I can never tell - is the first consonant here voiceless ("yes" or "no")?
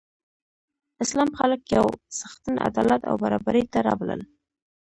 yes